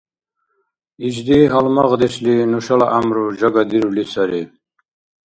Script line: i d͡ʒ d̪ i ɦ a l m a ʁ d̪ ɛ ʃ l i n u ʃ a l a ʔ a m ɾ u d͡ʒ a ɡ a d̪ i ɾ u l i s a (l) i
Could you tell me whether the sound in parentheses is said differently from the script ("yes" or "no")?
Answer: yes